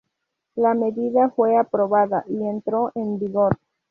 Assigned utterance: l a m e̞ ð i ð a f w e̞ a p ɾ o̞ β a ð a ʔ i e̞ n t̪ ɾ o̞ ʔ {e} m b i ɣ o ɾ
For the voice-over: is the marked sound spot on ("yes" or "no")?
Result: yes